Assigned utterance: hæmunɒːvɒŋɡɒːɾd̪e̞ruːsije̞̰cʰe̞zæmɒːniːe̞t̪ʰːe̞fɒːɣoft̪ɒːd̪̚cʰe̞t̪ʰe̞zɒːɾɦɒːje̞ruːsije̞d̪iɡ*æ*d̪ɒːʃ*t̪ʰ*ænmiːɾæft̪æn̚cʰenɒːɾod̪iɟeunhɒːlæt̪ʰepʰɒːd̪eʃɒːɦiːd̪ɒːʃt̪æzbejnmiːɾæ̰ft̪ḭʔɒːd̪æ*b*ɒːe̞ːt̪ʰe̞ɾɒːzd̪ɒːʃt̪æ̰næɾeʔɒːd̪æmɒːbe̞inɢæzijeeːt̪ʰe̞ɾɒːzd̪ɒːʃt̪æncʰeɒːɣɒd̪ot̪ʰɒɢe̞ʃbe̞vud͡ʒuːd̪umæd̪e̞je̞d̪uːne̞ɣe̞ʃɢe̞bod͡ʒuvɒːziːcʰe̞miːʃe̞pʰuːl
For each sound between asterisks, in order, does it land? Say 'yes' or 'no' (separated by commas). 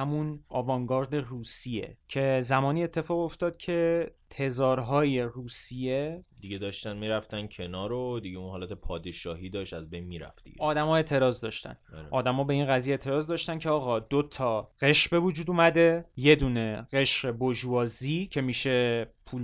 no, no, no